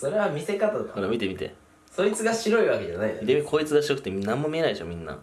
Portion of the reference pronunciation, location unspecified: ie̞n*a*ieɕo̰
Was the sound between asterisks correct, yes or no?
yes